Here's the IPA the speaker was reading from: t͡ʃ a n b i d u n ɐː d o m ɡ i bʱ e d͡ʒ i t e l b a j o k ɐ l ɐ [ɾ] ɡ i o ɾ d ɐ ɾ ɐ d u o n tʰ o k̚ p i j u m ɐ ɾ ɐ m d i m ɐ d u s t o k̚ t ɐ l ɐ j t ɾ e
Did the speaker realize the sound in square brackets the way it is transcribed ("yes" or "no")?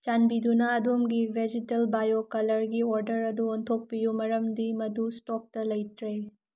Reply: yes